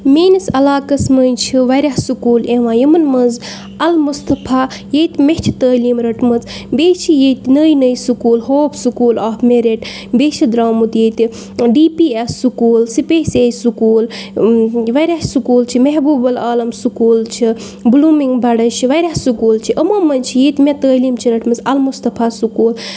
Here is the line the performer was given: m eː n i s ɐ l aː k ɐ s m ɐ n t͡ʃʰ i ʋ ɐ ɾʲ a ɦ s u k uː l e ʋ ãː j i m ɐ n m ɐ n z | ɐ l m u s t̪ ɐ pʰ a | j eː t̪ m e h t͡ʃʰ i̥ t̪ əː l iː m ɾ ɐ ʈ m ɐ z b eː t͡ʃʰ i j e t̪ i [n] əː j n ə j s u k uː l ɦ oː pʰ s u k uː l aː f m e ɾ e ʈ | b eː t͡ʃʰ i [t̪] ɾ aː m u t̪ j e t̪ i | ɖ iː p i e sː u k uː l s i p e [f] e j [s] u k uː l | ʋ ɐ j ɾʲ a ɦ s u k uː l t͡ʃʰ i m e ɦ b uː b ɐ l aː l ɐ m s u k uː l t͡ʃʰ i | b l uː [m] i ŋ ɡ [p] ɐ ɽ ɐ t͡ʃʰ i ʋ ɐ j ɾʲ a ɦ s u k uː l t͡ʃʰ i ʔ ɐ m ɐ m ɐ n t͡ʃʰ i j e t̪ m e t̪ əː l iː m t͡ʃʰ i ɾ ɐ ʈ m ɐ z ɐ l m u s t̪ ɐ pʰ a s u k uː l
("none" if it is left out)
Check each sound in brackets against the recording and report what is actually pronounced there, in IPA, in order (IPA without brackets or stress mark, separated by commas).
n, d̪, s, s, m, b